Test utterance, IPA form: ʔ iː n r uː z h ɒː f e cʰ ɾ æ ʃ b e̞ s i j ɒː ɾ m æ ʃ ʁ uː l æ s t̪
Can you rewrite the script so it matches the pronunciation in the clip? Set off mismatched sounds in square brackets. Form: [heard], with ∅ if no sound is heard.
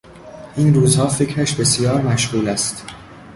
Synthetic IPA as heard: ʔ iː n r uː z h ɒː f e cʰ ɾ æ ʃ b e̞ s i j ɒː ɾ m æ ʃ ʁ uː l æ s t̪